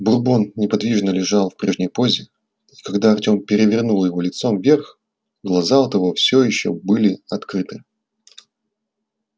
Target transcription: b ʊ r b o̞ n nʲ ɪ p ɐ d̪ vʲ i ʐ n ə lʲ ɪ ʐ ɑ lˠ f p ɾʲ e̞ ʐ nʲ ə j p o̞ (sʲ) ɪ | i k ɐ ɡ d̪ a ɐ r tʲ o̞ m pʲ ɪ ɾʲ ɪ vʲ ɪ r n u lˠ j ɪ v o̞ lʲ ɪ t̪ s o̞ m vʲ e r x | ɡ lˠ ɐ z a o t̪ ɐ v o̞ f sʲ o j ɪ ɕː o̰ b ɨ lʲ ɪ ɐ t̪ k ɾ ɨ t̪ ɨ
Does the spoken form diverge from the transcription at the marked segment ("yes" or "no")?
yes